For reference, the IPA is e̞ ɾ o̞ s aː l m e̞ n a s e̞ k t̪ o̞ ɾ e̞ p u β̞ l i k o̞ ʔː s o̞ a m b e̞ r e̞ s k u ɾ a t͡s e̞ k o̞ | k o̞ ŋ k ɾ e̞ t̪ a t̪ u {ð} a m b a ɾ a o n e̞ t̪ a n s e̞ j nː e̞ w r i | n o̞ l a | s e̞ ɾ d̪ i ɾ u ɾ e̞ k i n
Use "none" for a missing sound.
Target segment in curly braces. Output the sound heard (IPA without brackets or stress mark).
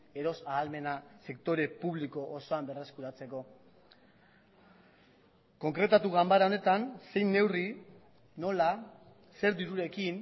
ɣ